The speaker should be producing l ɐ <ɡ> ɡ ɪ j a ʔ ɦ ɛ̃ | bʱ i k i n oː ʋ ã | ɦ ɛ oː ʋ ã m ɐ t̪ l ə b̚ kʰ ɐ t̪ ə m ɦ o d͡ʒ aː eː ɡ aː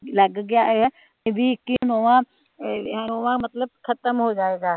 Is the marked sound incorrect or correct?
correct